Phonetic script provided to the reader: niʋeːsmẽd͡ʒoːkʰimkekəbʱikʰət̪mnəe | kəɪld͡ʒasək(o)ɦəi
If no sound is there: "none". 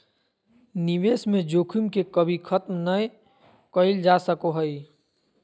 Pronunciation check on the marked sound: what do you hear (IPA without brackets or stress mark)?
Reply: o